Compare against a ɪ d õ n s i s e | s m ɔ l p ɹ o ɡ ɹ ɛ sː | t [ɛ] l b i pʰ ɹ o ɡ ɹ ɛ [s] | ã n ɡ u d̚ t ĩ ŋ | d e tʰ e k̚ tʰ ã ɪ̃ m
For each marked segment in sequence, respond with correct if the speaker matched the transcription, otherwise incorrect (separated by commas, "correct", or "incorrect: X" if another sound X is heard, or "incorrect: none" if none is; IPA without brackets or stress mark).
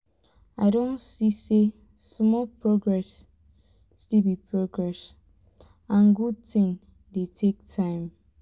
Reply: incorrect: i, correct